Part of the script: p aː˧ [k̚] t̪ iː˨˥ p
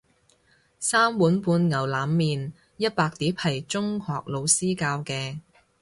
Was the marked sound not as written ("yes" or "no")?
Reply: no